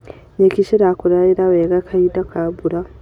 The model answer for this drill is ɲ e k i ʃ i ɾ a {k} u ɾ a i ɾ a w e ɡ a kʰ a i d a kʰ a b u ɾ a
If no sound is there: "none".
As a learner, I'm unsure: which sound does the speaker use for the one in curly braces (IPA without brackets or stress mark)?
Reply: k